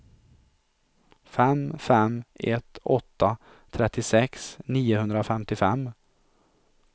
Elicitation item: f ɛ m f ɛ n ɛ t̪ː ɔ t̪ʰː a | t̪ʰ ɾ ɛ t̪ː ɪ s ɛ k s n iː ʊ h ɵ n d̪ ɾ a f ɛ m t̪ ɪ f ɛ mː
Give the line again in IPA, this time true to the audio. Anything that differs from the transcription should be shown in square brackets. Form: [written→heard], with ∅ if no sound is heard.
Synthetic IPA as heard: f ɛ m f ɛ [n→m] ɛ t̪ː ɔ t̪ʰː a | t̪ʰ ɾ ɛ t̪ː ɪ s ɛ k s n iː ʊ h ɵ n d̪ ɾ a f ɛ m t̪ ɪ f ɛ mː

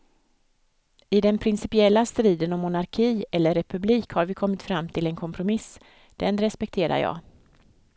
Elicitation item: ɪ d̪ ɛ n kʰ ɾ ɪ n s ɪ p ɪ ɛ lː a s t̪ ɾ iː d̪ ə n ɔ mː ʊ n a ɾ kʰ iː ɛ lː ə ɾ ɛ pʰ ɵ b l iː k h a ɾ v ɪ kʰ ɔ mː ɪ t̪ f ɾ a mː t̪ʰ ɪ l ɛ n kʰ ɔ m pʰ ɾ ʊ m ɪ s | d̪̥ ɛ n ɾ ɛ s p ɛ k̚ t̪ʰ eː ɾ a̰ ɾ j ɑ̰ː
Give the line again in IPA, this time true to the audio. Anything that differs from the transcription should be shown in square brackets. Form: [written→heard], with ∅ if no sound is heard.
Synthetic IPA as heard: ɪ d̪ ɛ n [kʰ→pʰ] ɾ ɪ n s ɪ p ɪ ɛ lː a s t̪ ɾ iː d̪ ə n ɔ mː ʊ n a ɾ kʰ iː ɛ lː ə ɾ ɛ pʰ ɵ b l iː k h a ɾ v ɪ kʰ ɔ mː ɪ t̪ f ɾ a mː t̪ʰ ɪ l ɛ n kʰ ɔ m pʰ ɾ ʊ m ɪ s | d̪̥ ɛ n ɾ ɛ s p ɛ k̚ t̪ʰ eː ɾ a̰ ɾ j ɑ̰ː

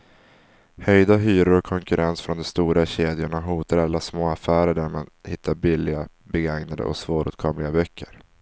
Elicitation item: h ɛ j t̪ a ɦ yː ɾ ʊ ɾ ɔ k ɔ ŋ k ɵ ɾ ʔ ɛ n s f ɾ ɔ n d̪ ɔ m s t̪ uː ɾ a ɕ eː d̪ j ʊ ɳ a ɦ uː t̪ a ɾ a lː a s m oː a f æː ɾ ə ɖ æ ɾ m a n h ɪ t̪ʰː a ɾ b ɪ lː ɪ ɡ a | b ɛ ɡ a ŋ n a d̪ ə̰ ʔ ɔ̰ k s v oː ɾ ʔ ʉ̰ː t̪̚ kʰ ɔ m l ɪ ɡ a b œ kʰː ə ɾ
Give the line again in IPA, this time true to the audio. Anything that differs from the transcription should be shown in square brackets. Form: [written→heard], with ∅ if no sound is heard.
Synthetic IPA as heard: h [ɛ→œ] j [t̪→d̪] a ɦ yː ɾ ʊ ɾ ɔ [k→kʰ] ɔ ŋ k ɵ ɾ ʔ ɛ n s f ɾ ɔ n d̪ ɔ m s t̪ uː ɾ a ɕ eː d̪ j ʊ ɳ a ɦ uː t̪ a ɾ a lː a s m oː a f æː ɾ ə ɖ æ ɾ m a n h ɪ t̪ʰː a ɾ b ɪ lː ɪ ɡ a | b ɛ ɡ a ŋ n a d̪ ə̰ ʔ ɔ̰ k s v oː ɾ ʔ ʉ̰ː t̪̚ kʰ ɔ m l ɪ ɡ a b œ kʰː ə ɾ

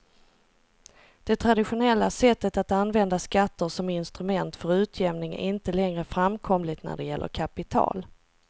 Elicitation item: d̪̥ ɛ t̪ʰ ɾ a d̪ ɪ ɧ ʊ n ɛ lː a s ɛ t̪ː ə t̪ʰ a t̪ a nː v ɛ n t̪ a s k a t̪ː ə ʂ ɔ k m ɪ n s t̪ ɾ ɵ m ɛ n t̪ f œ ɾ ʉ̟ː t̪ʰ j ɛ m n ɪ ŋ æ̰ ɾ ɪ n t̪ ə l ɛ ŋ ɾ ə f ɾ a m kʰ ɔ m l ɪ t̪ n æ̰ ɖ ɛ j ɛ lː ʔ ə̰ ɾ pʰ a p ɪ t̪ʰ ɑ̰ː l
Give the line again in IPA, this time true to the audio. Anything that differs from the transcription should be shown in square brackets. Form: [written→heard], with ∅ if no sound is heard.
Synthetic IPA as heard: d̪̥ ɛ t̪ʰ ɾ a d̪ ɪ ɧ ʊ n ɛ lː a s ɛ t̪ː ə [t̪ʰ→t̪] a t̪ a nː v ɛ n [t̪→d̪] a s k a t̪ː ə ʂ ɔ [k→∅] m ɪ n s t̪ ɾ ɵ m ɛ n t̪ f œ ɾ ʉ̟ː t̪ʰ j ɛ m n ɪ ŋ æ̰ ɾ ɪ n t̪ ə l ɛ ŋ ɾ ə f ɾ a m kʰ ɔ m l ɪ t̪ n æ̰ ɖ ɛ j ɛ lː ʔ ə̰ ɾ [pʰ→kʰ] a p ɪ t̪ʰ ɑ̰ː l

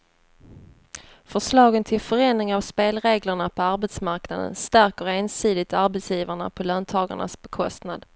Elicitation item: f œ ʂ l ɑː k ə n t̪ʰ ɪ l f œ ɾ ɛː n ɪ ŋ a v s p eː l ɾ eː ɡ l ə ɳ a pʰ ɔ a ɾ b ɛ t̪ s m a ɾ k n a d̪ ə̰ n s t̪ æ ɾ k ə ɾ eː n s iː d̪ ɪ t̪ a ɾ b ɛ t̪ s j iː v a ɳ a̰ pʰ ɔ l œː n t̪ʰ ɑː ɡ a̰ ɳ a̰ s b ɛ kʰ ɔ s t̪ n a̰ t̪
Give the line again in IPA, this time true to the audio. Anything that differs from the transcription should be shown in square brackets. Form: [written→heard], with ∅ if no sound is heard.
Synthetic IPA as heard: f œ ʂ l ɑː [k→ɡ] ə n t̪ʰ ɪ l f œ ɾ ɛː n ɪ ŋ a v s p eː l ɾ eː ɡ l ə ɳ a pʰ ɔ a ɾ b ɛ t̪ s m a ɾ k n a d̪ ə̰ n s t̪ æ ɾ k ə ɾ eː n s iː d̪ ɪ t̪ a ɾ b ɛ t̪ s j iː v a ɳ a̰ pʰ ɔ l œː n t̪ʰ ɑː ɡ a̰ ɳ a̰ s b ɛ kʰ ɔ s t̪ n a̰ [t̪→d̪]

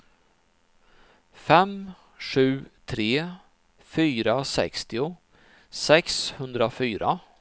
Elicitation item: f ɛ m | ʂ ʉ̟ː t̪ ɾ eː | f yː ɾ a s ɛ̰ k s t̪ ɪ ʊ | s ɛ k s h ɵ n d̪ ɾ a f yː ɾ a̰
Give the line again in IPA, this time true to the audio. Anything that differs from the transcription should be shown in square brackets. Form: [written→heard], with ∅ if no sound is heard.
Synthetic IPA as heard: f ɛ m | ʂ ʉ̟ː [t̪→t̪ʰ] ɾ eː | f yː ɾ a s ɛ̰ k s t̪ ɪ ʊ | s ɛ k s h ɵ n d̪ ɾ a f yː ɾ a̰

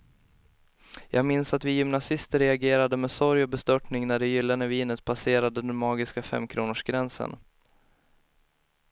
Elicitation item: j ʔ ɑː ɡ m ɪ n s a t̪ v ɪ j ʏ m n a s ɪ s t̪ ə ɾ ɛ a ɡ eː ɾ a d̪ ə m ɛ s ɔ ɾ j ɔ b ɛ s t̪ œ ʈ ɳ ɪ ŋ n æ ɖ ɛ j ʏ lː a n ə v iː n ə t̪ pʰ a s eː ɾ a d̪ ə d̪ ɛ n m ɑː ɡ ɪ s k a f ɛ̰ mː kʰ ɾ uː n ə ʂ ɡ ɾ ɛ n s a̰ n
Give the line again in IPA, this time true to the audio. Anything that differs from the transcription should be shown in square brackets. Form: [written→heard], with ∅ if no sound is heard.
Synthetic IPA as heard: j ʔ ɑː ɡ m ɪ n s a t̪ v ɪ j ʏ m n a s ɪ s t̪ ə ɾ ɛ a ɡ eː ɾ a d̪ ə m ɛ s ɔ ɾ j ɔ b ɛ s t̪ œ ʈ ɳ ɪ ŋ n æ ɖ ɛ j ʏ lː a n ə v iː n ə t̪ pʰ a s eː ɾ a d̪ ə d̪ ɛ n m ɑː ɡ ɪ s k a f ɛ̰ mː kʰ ɾ uː n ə ʂ ɡ ɾ ɛ n s [a̰→ə̰] n

